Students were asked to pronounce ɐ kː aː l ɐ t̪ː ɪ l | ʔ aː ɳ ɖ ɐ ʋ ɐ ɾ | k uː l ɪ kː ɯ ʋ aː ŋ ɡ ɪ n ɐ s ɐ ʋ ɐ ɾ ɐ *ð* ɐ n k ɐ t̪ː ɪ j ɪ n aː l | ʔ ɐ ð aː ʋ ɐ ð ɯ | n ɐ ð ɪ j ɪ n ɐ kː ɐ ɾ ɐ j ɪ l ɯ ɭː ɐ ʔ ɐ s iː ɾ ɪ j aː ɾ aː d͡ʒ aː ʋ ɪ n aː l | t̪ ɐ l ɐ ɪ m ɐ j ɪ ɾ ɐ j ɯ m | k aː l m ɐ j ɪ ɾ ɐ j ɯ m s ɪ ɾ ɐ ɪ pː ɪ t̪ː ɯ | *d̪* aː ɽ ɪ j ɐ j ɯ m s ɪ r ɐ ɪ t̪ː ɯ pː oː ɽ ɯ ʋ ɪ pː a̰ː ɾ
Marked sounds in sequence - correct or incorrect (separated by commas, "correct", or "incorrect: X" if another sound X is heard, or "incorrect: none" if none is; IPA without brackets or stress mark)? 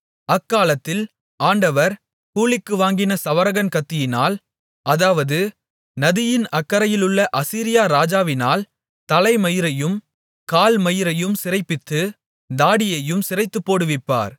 incorrect: ɣ, correct